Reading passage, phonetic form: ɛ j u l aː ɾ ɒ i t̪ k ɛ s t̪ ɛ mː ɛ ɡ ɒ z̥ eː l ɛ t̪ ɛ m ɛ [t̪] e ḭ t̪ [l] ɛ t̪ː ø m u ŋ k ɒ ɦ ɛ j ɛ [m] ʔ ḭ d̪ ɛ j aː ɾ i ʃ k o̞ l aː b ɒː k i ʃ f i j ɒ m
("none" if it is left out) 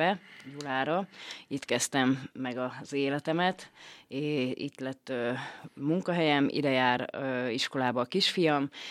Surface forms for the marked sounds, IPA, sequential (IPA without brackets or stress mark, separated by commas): t̪, l, m